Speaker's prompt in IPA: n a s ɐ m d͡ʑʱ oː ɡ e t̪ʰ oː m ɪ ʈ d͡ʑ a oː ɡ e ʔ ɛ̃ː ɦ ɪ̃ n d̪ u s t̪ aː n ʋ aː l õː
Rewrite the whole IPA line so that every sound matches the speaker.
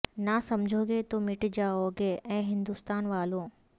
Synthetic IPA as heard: n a s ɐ m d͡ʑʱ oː ɡ e t̪ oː m ɪ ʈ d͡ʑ a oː ɡ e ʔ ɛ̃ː ɦ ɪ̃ n d̪ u s t̪ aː n ʋ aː l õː